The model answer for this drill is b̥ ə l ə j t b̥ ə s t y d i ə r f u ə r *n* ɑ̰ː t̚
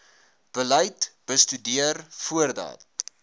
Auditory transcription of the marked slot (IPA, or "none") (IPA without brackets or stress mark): d